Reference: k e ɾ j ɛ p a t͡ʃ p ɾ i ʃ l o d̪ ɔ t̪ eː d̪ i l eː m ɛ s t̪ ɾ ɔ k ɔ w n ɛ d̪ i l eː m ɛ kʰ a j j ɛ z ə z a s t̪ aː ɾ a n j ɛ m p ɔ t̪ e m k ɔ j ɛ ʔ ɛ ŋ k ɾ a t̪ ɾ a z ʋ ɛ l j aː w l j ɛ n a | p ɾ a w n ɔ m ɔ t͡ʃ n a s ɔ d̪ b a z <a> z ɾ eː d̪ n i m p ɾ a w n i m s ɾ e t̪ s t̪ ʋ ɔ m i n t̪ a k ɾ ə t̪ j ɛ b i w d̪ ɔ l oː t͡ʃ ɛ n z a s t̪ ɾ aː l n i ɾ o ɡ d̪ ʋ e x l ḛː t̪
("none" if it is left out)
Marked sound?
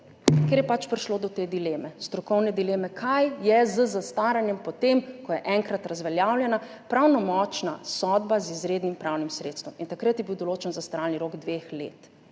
i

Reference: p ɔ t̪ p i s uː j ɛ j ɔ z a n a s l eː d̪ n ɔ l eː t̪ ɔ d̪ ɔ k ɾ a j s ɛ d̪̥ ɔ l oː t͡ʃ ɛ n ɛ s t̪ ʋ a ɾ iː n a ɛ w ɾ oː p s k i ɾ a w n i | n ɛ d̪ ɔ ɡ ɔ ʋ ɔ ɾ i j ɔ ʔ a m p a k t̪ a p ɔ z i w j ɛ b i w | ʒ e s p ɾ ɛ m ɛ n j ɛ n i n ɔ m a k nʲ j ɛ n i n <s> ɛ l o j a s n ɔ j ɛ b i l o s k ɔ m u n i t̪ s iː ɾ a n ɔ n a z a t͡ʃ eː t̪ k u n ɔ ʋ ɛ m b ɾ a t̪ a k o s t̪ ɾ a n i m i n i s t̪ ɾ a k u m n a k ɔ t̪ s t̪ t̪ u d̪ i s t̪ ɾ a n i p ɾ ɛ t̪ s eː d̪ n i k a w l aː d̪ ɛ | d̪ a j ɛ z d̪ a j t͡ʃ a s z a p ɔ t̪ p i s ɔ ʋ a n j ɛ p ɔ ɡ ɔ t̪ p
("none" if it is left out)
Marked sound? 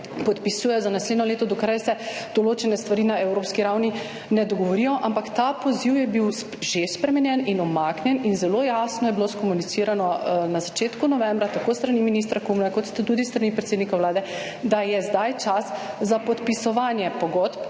z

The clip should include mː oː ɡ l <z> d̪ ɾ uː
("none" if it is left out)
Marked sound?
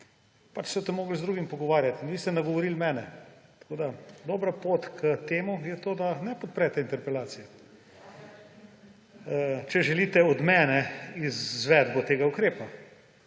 z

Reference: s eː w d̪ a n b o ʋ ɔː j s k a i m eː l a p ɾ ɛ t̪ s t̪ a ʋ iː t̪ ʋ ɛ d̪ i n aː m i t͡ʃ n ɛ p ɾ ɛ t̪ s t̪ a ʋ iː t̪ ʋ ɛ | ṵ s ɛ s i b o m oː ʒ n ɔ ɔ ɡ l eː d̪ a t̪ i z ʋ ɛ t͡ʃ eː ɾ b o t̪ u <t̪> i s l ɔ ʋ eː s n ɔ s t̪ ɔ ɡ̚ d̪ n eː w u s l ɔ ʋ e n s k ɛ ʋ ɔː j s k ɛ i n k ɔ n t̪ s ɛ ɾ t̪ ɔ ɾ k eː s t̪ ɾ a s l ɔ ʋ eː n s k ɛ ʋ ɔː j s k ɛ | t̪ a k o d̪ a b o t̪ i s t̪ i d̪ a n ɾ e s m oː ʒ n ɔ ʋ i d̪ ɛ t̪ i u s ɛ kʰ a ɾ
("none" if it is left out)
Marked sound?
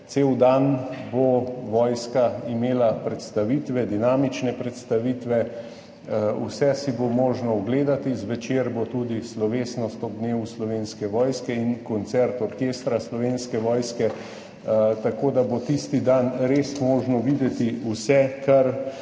d̪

